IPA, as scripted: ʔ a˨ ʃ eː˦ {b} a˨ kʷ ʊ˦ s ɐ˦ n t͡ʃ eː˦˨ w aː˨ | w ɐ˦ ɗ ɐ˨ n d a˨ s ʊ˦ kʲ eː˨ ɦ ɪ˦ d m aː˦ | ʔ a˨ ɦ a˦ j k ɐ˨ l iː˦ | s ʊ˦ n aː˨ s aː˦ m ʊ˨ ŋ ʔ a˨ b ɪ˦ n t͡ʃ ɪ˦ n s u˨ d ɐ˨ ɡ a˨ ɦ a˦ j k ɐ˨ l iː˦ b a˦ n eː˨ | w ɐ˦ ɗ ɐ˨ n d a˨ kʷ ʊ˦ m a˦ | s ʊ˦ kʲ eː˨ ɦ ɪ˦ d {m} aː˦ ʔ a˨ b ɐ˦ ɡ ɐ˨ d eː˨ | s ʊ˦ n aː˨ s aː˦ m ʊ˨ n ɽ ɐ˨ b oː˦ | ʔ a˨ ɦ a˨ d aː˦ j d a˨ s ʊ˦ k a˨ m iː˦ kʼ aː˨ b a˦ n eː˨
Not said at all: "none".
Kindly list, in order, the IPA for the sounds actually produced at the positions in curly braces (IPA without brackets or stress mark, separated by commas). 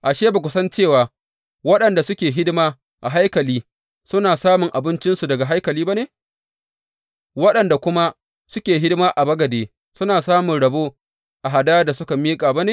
b, m